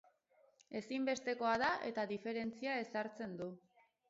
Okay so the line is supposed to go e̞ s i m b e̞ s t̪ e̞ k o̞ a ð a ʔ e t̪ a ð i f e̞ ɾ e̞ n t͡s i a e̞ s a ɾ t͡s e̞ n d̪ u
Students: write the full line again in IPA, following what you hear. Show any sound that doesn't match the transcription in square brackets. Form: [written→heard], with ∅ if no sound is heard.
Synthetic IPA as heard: e̞ s i m b e̞ s t̪ e̞ k o̞ a ð a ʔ e t̪ a ð i f e̞ ɾ e̞ n t͡s i a e̞ s a ɾ t͡s e̞ n d̪ u